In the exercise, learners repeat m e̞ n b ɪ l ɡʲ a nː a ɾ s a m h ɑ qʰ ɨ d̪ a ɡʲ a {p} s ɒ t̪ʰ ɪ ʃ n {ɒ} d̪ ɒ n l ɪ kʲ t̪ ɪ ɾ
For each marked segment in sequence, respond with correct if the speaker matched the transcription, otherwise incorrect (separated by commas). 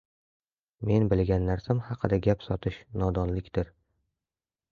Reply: correct, correct